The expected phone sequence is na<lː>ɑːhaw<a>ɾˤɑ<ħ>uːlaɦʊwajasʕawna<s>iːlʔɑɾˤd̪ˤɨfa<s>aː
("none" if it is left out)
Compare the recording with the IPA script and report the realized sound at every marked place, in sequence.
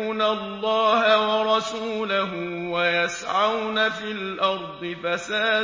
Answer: lː, ɑ, s, f, s

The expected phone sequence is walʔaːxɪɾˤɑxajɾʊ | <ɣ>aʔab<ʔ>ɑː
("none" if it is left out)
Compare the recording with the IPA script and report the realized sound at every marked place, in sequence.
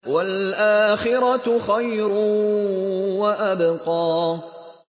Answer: w, q

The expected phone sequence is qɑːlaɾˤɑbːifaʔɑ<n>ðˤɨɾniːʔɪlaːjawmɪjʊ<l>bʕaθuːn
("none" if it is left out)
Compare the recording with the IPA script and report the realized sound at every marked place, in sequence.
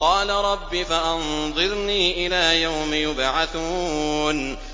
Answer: n, none

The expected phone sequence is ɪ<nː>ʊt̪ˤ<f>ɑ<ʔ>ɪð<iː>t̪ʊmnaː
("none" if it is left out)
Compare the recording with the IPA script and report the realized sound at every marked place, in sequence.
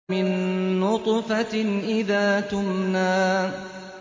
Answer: nː, f, ʔ, aː

